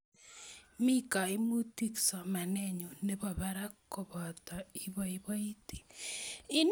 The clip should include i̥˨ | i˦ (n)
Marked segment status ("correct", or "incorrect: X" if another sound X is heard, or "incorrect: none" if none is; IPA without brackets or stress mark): correct